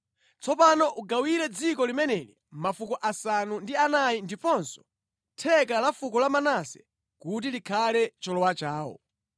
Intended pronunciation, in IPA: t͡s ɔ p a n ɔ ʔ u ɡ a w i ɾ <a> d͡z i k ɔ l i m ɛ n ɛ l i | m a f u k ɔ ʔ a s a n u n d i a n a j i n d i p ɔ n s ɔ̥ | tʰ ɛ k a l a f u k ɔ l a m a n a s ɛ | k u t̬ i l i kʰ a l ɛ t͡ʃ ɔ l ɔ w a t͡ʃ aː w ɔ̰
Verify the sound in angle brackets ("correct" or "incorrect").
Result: incorrect